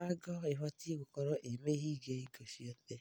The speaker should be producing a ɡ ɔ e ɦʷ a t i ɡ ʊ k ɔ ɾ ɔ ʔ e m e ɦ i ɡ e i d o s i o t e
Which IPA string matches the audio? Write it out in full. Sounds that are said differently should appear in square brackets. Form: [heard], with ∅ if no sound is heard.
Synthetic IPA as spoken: a ɡ ɔ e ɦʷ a t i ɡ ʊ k ɔ ɾ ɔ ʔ e m e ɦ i ɡ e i [ɡ] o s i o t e